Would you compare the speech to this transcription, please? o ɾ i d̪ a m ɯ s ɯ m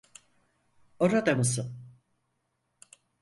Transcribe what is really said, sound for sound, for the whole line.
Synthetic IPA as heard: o ɾ a d̪ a m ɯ s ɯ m